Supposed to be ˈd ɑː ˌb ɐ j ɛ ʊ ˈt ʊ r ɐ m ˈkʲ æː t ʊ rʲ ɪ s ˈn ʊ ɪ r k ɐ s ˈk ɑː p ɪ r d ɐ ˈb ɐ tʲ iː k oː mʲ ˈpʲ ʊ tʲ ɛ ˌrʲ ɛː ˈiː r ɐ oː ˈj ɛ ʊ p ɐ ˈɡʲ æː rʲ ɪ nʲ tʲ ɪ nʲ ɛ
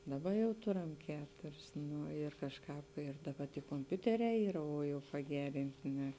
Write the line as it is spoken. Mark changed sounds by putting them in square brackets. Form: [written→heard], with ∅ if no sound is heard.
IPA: ˈd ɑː ˌb ɐ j ɛ ʊ ˈt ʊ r ɐ m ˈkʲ æː t ʊ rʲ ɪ s ˈn ʊ ɪ r k ɐ [s→ʃ] ˈk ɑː p ɪ r d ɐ ˈb ɐ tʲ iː k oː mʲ ˈpʲ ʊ tʲ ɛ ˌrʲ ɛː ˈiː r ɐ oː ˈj ɛ ʊ p ɐ ˈɡʲ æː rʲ ɪ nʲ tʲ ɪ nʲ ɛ